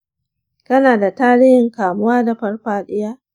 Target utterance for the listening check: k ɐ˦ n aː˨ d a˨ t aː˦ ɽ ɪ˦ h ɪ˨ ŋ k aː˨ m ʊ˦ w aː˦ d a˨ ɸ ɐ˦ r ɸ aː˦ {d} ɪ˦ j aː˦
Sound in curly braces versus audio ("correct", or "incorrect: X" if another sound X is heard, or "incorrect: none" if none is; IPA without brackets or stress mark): incorrect: ɗ